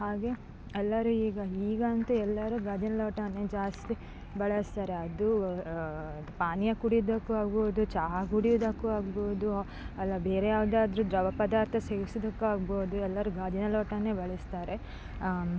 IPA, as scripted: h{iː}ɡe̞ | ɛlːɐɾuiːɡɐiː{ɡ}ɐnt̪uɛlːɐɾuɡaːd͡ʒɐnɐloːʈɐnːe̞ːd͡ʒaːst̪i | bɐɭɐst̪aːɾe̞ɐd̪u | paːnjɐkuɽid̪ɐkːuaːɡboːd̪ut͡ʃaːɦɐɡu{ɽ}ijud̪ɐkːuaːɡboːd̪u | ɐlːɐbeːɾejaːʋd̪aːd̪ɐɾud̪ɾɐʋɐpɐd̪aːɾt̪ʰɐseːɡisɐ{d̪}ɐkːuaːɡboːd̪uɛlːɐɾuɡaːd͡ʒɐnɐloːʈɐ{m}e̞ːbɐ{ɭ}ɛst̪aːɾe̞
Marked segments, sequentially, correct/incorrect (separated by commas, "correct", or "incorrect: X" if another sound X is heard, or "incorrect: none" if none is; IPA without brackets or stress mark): incorrect: aː, correct, correct, correct, incorrect: n, correct